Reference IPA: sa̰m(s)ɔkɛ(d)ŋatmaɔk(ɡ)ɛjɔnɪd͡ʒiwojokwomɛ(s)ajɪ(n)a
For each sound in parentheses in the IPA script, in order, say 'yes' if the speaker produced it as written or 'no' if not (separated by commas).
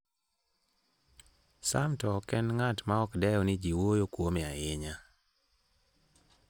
no, no, no, no, no